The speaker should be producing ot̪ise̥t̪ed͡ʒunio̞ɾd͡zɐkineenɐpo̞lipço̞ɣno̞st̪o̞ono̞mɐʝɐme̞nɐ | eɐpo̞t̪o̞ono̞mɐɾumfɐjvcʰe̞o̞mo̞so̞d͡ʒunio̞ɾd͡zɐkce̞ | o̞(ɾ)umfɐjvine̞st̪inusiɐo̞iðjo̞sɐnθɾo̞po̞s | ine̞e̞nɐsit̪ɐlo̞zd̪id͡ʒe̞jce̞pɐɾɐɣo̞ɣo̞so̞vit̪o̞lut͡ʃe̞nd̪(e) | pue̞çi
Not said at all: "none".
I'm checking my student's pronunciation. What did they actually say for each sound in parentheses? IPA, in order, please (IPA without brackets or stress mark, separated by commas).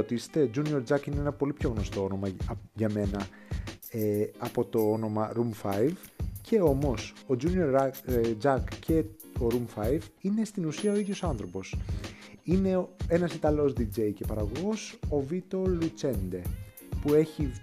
ɾ, e